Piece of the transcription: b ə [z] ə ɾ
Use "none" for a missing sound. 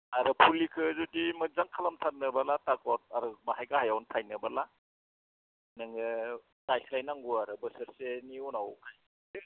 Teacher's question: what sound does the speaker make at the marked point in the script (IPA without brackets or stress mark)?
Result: s